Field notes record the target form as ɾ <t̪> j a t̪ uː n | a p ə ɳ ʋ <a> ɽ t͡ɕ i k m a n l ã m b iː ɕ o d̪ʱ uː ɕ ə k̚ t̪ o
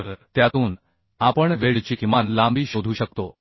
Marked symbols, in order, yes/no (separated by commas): yes, no